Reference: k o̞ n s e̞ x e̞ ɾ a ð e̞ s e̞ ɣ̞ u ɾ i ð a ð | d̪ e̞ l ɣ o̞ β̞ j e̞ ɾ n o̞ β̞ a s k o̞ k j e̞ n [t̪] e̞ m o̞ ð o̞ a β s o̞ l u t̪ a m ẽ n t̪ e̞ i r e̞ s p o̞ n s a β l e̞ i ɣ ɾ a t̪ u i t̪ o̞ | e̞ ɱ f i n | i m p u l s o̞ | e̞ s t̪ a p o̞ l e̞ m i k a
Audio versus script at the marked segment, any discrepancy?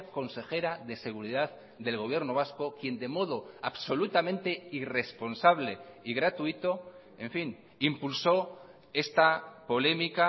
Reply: yes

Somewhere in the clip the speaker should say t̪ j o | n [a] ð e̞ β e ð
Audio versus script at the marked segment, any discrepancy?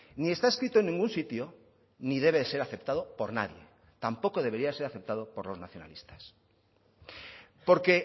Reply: yes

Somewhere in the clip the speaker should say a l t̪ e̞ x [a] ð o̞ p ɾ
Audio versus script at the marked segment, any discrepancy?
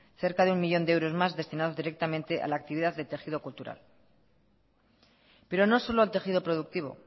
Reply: yes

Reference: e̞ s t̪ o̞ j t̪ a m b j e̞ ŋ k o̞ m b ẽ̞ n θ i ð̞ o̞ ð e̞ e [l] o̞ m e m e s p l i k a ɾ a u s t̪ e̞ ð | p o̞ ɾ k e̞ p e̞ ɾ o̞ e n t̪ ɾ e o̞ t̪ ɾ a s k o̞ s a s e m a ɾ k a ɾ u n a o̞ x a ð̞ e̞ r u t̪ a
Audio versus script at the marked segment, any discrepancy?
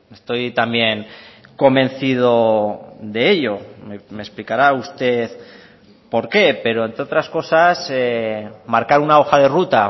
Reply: yes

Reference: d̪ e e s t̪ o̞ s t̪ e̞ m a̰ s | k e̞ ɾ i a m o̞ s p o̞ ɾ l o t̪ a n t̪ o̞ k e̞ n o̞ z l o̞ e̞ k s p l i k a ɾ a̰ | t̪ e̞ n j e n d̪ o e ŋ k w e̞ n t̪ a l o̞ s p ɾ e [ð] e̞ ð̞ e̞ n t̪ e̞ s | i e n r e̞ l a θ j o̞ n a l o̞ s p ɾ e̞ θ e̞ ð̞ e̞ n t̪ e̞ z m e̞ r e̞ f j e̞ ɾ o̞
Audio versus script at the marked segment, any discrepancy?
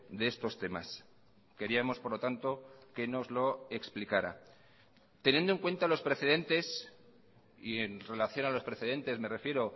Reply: yes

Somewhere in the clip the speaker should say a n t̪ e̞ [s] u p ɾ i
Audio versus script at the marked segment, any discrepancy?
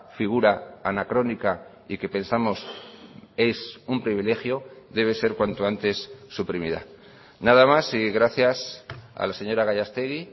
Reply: yes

